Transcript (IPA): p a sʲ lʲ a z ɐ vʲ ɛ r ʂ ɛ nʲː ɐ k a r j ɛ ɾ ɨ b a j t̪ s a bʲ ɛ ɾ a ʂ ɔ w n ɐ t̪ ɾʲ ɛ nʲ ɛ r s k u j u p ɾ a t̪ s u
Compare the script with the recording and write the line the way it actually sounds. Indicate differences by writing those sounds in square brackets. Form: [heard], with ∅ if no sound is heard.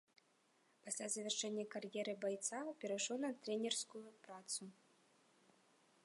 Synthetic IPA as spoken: p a sʲ lʲ a z ɐ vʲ ɛ r ʂ ɛ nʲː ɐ k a r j ɛ ɾ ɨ b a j t̪ s a [pʲ] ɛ ɾ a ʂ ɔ w n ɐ t̪ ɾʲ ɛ nʲ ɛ r s k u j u p ɾ a t̪ s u